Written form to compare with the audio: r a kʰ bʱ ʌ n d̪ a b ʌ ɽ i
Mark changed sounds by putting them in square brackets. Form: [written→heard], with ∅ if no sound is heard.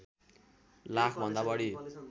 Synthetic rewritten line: [r→l] a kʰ bʱ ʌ n d̪ a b ʌ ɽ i